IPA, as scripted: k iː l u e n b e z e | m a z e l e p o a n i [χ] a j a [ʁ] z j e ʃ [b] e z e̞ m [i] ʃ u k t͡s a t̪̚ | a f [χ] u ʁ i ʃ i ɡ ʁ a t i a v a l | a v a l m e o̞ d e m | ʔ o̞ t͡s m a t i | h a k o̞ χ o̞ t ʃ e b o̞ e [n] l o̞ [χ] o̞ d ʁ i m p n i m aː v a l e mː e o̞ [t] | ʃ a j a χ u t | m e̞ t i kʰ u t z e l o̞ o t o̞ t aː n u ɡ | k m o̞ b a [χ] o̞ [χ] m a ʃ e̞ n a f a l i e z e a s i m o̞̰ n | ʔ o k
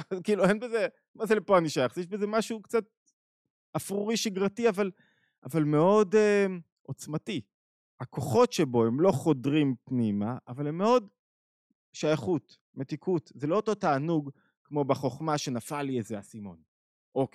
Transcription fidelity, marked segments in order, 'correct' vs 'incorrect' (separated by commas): incorrect, incorrect, correct, incorrect, incorrect, incorrect, correct, incorrect, correct, correct